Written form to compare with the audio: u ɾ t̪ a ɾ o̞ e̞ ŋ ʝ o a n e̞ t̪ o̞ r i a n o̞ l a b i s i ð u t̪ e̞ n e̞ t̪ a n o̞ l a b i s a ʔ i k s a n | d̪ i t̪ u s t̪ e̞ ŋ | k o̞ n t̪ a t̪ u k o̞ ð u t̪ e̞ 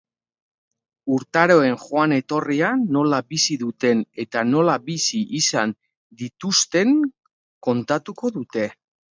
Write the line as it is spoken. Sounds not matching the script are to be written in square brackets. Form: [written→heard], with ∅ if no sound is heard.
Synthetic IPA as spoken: u ɾ t̪ a ɾ o̞ e̞ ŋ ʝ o a n e̞ t̪ o̞ r i a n o̞ l a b i s i ð u t̪ e̞ n e̞ t̪ a n o̞ l a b i s [a→i] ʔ i [k→∅] s a n | d̪ i t̪ u s t̪ e̞ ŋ | k o̞ n t̪ a t̪ u k o̞ ð u t̪ e̞